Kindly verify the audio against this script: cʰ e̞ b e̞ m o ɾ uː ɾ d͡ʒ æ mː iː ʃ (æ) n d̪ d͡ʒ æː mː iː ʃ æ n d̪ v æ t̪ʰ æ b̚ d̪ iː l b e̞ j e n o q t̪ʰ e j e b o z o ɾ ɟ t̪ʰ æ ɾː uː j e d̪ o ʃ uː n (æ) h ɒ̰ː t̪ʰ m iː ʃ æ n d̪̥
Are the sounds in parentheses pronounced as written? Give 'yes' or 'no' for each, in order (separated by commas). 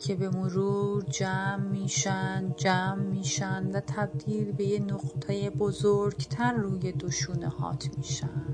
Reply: yes, no